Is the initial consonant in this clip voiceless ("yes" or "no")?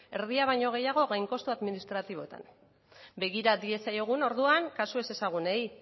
no